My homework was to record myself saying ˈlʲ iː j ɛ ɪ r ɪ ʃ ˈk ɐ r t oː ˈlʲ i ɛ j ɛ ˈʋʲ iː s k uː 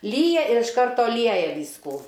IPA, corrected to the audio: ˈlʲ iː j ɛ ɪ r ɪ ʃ ˈk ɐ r t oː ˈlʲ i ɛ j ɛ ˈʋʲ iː s k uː